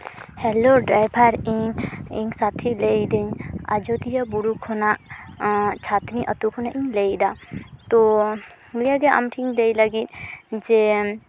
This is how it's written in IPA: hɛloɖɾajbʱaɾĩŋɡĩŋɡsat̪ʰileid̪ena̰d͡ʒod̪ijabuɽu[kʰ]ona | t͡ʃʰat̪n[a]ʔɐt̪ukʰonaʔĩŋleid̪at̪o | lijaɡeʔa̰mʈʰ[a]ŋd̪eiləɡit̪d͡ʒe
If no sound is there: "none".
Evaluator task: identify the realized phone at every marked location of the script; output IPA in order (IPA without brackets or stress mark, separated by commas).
kʰ, i, i